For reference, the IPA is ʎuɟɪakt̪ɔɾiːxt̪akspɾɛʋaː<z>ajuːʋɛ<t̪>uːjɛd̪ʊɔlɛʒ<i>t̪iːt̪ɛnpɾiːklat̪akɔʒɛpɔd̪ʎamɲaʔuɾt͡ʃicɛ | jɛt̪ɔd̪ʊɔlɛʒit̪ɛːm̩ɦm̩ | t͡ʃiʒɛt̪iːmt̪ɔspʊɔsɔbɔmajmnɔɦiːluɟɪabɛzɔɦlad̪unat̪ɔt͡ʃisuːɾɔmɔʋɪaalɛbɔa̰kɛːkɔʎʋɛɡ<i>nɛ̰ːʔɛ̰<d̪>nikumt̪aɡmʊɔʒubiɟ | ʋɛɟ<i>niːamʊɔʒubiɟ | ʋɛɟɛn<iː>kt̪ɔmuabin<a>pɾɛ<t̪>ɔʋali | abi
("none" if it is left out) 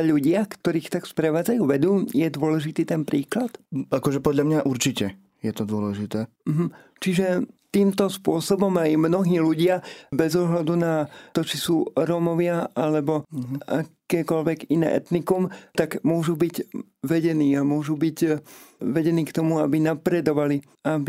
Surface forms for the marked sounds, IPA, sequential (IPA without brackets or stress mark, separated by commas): d͡z, d̪, i, i, t̪, ɛ, iː, a, d̪